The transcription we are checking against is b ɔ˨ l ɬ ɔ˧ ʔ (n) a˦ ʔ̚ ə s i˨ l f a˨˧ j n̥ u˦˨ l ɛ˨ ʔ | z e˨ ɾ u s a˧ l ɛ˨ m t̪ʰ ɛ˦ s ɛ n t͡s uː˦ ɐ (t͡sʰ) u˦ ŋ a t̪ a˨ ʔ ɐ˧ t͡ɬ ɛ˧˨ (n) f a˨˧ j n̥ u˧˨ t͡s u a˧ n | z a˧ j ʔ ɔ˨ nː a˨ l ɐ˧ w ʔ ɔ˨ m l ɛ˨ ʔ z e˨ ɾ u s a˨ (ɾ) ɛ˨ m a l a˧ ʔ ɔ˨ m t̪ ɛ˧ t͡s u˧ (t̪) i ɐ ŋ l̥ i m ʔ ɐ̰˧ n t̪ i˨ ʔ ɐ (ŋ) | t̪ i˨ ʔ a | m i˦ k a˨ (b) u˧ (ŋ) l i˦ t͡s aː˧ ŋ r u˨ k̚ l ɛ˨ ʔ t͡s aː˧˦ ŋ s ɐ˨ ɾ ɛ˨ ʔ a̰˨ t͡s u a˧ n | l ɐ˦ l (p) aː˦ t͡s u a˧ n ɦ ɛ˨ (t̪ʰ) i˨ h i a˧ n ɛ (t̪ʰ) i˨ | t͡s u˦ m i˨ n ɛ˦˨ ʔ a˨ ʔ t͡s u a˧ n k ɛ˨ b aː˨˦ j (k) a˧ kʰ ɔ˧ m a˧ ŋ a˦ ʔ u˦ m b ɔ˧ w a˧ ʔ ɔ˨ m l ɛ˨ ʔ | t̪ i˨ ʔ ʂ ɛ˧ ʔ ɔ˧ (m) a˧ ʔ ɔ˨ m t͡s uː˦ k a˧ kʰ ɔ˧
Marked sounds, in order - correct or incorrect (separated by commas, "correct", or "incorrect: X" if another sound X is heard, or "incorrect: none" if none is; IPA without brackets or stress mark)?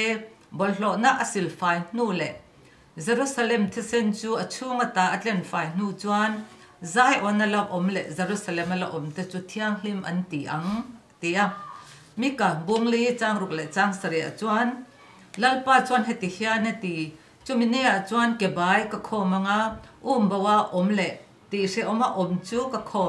correct, correct, correct, incorrect: l, incorrect: t̪ʰ, correct, correct, correct, correct, incorrect: t̪, incorrect: t̪, correct, correct